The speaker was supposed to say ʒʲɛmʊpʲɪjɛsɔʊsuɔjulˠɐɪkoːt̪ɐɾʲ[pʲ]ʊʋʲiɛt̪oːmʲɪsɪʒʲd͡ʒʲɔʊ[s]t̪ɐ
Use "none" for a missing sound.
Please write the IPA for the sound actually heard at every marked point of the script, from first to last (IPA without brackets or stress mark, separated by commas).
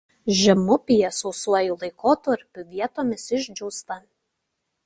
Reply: pʲ, s